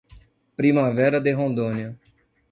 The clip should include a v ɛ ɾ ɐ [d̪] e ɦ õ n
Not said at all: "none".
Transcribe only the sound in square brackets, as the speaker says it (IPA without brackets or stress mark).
d̪